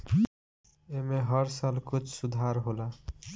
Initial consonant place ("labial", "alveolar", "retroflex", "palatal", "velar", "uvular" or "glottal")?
labial